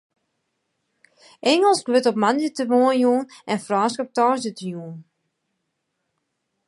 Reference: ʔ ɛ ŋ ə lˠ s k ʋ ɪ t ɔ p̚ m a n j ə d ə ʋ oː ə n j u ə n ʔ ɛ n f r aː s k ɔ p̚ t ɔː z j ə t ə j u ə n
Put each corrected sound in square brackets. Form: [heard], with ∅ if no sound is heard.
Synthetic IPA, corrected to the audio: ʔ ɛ ŋ ə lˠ s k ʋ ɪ t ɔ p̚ m a n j ə [t] ə ʋ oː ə n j u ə n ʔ ɛ n f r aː s k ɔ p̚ t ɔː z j ə t ə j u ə n